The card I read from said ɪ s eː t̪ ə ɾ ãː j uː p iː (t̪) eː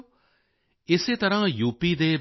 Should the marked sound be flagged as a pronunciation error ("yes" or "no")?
yes